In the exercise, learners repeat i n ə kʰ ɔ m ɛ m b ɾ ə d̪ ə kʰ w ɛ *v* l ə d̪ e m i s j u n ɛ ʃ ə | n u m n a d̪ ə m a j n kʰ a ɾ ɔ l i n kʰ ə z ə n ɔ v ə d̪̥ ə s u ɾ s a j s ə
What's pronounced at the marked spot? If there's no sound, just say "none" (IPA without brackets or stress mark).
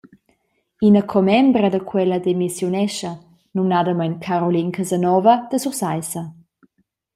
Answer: none